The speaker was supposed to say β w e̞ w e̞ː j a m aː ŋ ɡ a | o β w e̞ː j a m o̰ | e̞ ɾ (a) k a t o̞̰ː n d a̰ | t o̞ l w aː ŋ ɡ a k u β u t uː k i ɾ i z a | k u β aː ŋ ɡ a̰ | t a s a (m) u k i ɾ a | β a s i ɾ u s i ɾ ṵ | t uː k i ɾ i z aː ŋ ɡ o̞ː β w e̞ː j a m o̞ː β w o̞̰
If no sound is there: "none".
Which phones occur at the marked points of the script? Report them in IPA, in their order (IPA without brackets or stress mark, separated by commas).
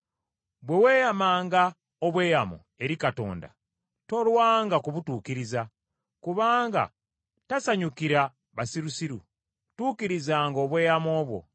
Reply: i, ɲ